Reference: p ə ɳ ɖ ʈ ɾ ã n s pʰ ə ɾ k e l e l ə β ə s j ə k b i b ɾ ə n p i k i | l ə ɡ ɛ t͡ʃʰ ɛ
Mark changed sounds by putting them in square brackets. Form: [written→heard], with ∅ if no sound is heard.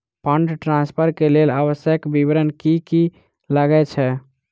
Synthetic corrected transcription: p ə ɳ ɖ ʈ ɾ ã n s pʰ ə ɾ k e l e l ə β ə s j ə k b i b ɾ ə n [p→k] i k i | l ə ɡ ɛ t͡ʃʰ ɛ

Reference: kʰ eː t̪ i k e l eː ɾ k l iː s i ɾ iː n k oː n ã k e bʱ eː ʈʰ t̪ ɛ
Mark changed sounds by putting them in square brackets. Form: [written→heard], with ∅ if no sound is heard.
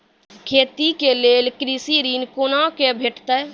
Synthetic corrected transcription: kʰ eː t̪ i k e l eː [ɾ→l] k [l→ɾ] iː s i ɾ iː n k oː n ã k e bʱ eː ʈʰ t̪ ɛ

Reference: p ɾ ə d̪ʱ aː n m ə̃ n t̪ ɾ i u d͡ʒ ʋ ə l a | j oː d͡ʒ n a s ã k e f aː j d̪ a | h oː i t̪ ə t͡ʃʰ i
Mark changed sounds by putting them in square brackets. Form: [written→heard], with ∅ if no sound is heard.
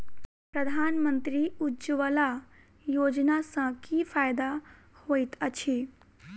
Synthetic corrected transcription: p ɾ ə d̪ʱ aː n m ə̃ n t̪ ɾ i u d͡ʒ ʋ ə l a | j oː d͡ʒ n a s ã k [e→i] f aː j d̪ a | h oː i t̪ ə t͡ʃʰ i

